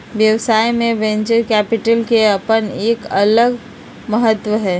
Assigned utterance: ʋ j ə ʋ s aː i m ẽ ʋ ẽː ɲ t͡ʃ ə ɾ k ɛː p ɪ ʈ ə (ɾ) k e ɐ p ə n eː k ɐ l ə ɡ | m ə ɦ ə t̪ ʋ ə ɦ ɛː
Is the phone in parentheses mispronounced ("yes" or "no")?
yes